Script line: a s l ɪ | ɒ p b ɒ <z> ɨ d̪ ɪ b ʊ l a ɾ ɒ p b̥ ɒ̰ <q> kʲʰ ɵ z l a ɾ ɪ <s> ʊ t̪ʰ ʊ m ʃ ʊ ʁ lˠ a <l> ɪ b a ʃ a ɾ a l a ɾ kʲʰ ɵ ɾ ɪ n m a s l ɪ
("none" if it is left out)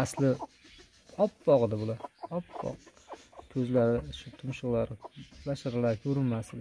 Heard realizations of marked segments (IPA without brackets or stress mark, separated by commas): ʁ, q, ʃ, ɾ